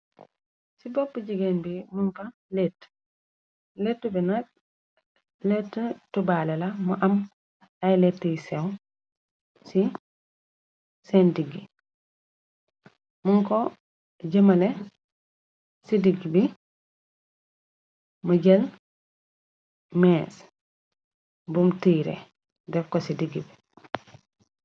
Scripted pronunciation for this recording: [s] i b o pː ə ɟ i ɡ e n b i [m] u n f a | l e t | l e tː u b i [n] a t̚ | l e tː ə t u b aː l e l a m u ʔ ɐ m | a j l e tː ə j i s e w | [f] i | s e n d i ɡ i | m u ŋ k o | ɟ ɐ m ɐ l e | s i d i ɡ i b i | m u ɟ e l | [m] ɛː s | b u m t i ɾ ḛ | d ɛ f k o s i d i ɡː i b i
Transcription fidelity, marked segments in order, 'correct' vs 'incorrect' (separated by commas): correct, correct, correct, incorrect, correct